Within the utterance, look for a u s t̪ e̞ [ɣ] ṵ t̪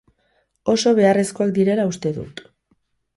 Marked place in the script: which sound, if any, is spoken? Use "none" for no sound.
ð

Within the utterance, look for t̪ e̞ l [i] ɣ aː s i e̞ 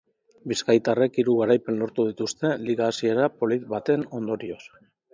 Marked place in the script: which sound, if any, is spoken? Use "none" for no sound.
i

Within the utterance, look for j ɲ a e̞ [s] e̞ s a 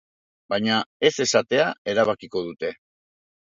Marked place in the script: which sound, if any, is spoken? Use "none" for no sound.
s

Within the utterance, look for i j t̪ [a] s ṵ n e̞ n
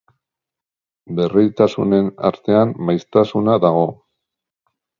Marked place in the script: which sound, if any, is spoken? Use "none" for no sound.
a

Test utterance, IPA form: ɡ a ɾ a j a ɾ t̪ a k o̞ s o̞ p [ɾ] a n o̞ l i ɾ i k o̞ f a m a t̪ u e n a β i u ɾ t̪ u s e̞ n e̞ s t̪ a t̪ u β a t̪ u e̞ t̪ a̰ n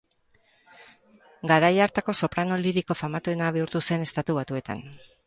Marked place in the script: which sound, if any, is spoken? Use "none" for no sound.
ɾ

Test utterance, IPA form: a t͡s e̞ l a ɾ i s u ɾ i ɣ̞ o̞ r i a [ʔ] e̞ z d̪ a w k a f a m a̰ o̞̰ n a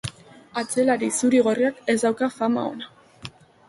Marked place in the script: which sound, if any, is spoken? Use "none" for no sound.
k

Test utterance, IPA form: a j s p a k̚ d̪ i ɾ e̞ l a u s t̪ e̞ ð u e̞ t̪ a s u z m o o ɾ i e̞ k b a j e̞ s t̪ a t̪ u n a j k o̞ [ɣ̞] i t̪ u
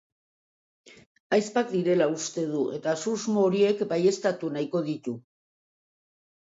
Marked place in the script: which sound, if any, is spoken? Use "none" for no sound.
ð̞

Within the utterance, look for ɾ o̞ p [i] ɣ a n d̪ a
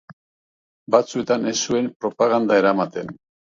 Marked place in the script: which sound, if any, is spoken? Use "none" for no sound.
a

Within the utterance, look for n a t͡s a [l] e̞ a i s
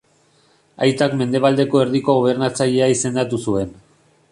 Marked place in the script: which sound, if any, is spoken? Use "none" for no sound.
ʎ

